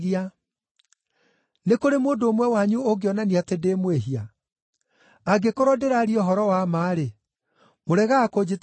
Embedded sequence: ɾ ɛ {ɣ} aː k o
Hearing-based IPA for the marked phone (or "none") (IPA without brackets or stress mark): ɣ